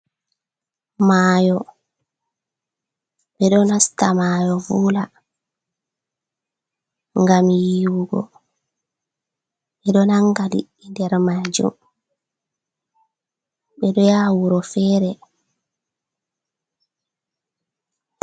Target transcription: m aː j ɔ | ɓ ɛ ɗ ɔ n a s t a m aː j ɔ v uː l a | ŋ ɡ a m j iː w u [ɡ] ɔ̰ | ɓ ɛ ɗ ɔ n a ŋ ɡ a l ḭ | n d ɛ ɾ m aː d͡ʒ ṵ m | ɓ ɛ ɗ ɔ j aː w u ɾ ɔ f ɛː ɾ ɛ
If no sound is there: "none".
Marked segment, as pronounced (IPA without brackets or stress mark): ɡ